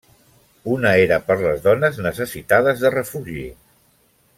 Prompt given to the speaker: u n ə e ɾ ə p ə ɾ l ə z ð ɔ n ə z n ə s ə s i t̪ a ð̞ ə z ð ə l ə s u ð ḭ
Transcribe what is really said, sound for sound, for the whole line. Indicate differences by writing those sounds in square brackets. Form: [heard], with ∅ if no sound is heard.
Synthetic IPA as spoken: u n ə e ɾ ə p ə ɾ l ə z ð ɔ n ə z n ə s ə s i t̪ a ð̞ ə z ð ə [r] ə [f] u [ʒ] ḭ